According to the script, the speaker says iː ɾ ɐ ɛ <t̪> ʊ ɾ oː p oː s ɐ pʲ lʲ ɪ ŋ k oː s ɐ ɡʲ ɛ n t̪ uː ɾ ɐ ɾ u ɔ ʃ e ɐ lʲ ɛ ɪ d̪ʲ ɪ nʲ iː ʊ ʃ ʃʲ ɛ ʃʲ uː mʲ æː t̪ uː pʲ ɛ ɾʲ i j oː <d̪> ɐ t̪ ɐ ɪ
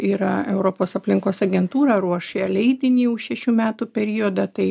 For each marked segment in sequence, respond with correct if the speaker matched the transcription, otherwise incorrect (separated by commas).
incorrect, correct